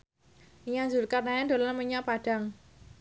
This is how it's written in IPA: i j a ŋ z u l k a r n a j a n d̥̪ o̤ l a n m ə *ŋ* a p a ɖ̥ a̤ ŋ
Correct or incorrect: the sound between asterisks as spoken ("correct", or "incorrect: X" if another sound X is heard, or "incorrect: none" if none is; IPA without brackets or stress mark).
incorrect: ɲ